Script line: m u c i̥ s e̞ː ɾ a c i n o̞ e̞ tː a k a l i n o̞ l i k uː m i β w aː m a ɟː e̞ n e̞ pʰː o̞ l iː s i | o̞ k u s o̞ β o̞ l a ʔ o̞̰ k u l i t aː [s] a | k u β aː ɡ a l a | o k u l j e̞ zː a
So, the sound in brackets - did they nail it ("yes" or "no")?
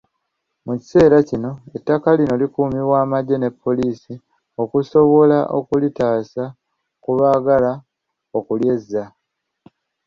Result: yes